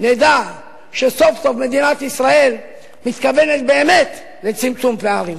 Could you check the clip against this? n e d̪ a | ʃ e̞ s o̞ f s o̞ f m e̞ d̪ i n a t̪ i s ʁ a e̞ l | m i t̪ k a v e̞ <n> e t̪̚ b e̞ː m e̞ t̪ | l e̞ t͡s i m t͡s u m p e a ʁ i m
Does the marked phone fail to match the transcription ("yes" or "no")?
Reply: no